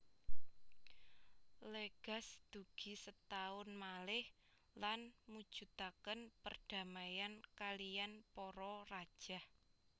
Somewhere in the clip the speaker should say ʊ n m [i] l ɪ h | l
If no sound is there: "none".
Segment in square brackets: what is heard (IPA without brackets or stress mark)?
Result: a